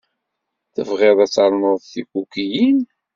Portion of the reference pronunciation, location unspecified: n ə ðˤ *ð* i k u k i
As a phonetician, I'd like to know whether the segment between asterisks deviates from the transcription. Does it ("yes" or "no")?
yes